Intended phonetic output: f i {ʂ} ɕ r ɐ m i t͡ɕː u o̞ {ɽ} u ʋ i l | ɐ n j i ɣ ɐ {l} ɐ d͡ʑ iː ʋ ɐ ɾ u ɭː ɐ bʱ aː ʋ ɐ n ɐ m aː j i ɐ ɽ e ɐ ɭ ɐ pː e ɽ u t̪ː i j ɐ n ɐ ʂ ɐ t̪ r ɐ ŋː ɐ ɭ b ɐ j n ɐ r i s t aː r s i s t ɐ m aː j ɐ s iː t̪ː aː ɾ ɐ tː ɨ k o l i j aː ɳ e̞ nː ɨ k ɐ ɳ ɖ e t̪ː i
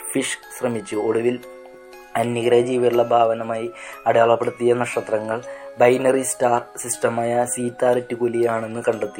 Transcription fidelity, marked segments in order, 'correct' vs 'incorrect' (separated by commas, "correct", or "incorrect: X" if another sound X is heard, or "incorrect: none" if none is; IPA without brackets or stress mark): correct, correct, incorrect: ɾ